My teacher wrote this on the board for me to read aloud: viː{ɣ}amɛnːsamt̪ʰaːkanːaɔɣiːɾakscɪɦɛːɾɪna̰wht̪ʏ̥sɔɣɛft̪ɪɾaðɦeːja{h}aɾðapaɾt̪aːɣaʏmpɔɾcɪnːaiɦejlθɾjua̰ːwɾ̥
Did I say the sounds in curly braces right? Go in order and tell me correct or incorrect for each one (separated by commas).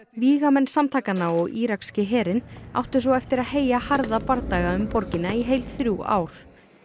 correct, correct